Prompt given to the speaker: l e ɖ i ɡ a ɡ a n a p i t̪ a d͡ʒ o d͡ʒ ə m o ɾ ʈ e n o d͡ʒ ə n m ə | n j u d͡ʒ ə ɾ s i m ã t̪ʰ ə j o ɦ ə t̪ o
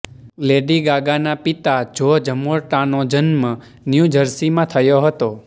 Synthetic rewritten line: l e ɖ i ɡ a ɡ a n a p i t̪ a d͡ʒ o d͡ʒ ə m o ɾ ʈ a n o d͡ʒ ə n m ə | n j u d͡ʒ ə ɾ s i m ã t̪ʰ ə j o ɦ ə t̪ o